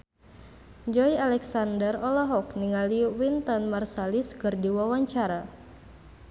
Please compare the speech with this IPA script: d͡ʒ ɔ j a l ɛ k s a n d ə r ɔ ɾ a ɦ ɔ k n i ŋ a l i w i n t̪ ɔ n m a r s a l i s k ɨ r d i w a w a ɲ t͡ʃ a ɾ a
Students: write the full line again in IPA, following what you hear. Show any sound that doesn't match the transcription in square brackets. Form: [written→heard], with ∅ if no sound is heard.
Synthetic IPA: d͡ʒ ɔ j a l ɛ k s a n d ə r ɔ [ɾ→l] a ɦ ɔ k n i ŋ a l i w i n t̪ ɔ n m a r s a l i s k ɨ r d i w a w a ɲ t͡ʃ a ɾ a